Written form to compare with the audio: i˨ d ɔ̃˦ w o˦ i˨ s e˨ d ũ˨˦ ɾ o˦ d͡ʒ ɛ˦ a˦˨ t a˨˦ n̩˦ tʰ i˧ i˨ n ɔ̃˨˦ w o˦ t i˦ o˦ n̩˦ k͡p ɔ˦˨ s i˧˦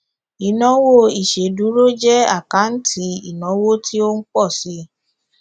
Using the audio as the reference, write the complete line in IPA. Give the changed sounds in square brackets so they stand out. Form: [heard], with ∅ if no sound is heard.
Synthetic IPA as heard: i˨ [n] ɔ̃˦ w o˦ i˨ [ʃ] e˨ d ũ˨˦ ɾ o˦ d͡ʒ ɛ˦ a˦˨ [k] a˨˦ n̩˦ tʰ i˧ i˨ n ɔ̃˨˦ w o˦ t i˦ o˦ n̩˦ k͡p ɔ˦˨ s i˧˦